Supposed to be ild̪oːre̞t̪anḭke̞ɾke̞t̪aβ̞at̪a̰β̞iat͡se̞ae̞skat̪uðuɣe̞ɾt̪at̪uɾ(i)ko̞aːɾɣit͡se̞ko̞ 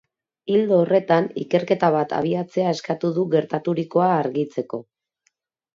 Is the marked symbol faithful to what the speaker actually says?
yes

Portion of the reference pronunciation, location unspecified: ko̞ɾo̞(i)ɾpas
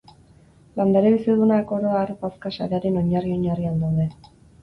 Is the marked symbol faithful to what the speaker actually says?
no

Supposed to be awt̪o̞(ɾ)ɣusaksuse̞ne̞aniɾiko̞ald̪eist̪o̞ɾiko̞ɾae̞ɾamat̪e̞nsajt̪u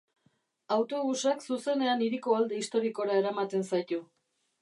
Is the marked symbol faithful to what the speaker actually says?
no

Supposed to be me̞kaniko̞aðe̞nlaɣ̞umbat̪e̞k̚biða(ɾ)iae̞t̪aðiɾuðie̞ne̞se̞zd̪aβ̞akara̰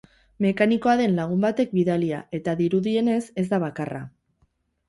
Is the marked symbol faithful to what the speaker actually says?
no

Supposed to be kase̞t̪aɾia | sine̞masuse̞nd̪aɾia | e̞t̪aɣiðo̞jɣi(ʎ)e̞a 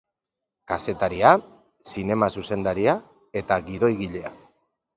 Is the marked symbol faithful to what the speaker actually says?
yes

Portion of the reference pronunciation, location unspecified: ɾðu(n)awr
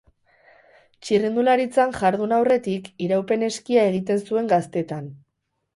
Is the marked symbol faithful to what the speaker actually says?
yes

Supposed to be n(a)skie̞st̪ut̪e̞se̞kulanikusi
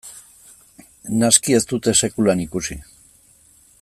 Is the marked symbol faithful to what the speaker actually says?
yes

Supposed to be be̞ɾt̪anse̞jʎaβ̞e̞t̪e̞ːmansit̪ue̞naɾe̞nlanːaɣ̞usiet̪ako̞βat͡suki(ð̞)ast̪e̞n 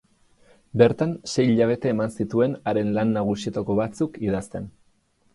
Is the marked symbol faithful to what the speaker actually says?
yes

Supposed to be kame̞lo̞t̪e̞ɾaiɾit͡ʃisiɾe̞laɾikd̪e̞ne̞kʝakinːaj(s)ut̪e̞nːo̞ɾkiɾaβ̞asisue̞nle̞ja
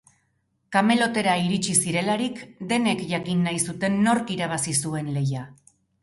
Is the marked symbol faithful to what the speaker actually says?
yes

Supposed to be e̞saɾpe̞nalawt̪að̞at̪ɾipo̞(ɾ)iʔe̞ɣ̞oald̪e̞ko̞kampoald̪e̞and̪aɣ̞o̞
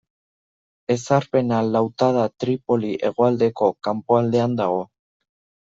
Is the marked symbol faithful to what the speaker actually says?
no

